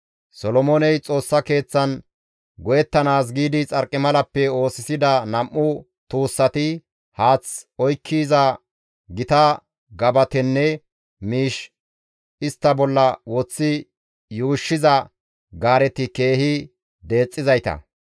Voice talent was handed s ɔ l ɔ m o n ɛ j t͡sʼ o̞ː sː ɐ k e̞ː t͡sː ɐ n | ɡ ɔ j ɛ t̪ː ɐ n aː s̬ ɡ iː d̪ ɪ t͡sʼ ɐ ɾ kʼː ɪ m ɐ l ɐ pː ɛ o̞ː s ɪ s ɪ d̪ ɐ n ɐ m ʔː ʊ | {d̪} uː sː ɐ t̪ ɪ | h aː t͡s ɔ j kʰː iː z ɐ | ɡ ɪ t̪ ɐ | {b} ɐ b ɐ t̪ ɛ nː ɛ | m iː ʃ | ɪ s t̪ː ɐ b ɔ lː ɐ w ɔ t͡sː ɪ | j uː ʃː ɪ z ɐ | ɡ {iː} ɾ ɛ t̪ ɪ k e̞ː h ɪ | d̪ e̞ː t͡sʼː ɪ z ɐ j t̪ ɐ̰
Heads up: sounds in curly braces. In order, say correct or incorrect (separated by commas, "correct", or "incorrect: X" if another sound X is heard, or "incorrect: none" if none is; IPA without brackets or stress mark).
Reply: incorrect: t̪, incorrect: ɡ, incorrect: aː